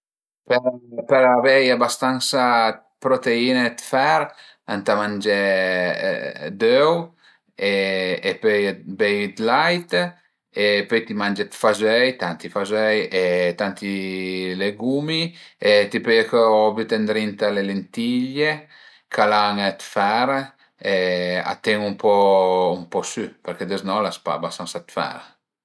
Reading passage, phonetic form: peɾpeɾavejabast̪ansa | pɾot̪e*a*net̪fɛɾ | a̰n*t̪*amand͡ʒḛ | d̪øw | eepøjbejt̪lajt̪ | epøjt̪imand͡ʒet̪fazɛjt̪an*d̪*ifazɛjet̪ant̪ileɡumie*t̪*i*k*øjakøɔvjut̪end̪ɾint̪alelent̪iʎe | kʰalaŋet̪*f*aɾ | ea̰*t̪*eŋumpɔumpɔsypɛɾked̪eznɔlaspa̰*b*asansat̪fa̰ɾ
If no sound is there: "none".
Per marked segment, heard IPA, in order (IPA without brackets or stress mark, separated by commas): i, t̪, t̪, t̪, p, f, t̪, b